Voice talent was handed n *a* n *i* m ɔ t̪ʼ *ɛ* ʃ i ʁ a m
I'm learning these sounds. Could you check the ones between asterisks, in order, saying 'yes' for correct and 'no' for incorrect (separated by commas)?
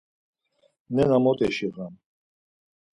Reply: no, no, yes